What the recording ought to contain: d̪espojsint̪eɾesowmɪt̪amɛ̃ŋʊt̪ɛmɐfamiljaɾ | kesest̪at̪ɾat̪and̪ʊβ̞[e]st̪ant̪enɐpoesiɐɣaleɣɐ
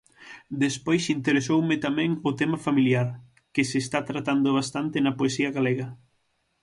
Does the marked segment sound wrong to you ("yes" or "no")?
yes